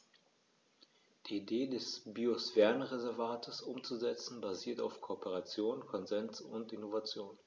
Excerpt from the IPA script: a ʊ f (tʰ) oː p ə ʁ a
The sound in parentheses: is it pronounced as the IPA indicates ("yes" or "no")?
no